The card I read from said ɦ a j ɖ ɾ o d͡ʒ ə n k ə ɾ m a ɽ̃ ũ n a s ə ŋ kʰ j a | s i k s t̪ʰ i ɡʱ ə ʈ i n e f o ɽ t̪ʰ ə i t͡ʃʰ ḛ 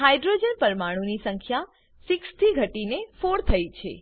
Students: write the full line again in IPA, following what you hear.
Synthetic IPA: ɦ a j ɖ ɾ o d͡ʒ ə n p ə ɾ m a ɽ̃ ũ n i s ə ŋ kʰ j a | s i k s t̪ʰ i ɡʱ ə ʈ i n e f o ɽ t̪ʰ ə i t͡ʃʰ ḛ

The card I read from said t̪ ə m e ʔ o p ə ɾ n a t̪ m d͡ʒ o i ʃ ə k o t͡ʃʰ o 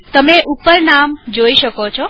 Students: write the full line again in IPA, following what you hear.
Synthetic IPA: t̪ ə m e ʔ u p ə ɾ n a m d͡ʒ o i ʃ ə k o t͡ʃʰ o

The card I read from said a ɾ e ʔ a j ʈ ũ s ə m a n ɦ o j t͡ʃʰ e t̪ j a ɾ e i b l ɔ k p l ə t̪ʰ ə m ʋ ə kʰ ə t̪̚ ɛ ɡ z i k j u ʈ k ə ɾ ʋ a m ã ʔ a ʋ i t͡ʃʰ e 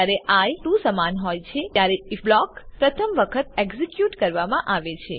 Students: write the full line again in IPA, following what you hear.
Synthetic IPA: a ɾ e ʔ a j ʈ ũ s ə m a n ɦ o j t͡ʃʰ e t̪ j a ɾ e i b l ɔ k p ɾ ə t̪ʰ ə m ʋ ə kʰ ə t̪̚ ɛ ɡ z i k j u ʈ k ə ɾ ʋ a m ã ʔ a ʋ e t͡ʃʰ e

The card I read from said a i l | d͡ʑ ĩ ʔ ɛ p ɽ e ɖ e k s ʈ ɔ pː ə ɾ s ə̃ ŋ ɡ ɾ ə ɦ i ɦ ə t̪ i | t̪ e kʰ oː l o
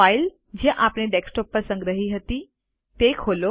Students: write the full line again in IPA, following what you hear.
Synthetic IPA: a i l | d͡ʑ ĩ ʔ a p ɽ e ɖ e k s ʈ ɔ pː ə ɾ s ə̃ ŋ ɡ ɾ ə ɦ i ɦ ə t̪ i | t̪ e kʰ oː l o

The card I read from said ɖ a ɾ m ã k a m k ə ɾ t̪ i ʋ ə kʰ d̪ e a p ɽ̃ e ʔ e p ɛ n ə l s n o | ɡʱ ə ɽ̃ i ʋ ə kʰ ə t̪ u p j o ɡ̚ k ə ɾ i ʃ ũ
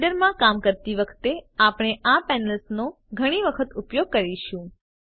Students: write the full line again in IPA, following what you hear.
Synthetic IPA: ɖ ə ɾ m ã k a m k ə ɾ t̪ i ʋ ə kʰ t̪ e a p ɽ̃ e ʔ a p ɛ n ə l s n o | ɡʱ ə ɽ̃ i ʋ ə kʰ ə t̪ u p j o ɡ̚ k ə ɾ i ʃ ũ

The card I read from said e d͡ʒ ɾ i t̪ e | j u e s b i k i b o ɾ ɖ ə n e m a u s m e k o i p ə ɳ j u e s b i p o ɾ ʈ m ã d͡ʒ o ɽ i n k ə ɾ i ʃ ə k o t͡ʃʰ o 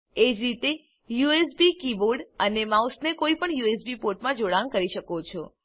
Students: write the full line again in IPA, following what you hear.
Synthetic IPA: e d͡ʒ ɾ i t̪ e | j u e s b i k i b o ɾ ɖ ə n e m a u s n e k o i p ə ɳ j u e s b i p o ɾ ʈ m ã d͡ʒ o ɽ a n k ə ɾ i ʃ ə k o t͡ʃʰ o

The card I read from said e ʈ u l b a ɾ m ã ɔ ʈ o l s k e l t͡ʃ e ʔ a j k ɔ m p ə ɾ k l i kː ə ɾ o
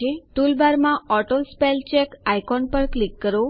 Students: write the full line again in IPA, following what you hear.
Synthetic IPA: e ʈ u l b a ɾ m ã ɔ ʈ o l s p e l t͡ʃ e k a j k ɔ n p ə ɾ k l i kː ə ɾ o

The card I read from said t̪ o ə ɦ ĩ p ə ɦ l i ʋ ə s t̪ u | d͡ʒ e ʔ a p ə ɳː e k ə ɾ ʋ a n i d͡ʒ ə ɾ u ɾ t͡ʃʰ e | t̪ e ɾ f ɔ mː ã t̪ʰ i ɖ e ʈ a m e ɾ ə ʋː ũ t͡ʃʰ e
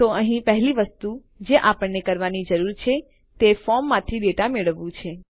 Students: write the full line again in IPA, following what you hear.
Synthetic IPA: t̪ o ə ɦ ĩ p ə ɦ l i ʋ ə s t̪ u | d͡ʒ e ʔ a p ə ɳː e k ə ɾ ʋ a n i d͡ʒ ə ɾ u ɾ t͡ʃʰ e | t̪ e f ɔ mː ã t̪ʰ i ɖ e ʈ a m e ɭ ə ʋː ũ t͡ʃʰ e

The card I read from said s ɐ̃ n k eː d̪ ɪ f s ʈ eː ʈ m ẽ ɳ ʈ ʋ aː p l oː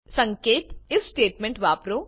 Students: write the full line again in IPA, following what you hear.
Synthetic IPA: s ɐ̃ ŋ k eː t̪ ɪ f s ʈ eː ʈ m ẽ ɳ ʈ ʋ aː p ɾ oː

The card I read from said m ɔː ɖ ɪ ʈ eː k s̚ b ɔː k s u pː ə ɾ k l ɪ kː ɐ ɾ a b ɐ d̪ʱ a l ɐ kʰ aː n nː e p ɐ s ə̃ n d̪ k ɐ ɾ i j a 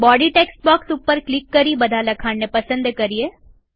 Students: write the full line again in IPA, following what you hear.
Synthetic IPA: b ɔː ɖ i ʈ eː k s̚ b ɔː k s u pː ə ɾ k l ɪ kː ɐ ɾ i b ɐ d̪ʱ a l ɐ kʰ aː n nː e p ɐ s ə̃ n d̪ k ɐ ɾ i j e

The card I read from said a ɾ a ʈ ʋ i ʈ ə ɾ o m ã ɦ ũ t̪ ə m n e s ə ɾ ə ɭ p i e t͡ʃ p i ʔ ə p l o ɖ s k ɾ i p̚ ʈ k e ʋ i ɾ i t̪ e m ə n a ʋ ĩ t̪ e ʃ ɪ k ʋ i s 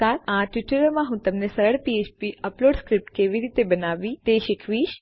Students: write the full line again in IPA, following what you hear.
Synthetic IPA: a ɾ a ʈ ʋ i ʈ ə ɾ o m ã ɦ ũ t̪ ə m n e s ə ɾ ə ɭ p i e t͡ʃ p i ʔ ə p l o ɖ s k ɾ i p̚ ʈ k e ʋ i ɾ i t̪ e b ə n a ʋ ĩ t̪ e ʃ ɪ kʰ ʋ i ʃ

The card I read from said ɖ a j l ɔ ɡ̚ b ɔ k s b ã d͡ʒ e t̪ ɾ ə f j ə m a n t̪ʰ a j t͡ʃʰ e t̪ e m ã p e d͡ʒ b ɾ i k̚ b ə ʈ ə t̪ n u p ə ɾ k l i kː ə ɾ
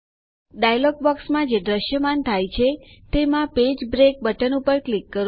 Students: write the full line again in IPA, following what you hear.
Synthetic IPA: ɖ a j l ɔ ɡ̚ b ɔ k s m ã d͡ʒ e d̪ ɾ ə ʃ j ə m a n t̪ʰ a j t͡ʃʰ e t̪ e m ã p e d͡ʒ b ɾ e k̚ b ə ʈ ə n u p ə ɾ k l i kː ə ɾ

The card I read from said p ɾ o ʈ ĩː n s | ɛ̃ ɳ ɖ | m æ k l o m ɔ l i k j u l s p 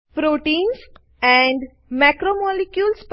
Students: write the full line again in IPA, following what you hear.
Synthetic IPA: p ɾ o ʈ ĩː n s | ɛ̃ ɳ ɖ | m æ k ɾ o m ɔ l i k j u l s p

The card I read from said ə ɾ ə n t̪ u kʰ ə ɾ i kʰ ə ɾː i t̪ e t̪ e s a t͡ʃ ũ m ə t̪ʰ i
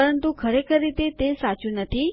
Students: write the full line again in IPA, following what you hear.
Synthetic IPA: ə ɾ ə n t̪ u kʰ ə ɾ e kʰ ə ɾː i t̪ e t̪ e s a t͡ʃ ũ n ə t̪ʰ i

